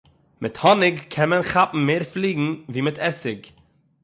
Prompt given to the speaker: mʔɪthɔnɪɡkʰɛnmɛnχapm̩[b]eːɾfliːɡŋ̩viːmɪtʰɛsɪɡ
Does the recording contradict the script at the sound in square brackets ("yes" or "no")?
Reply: yes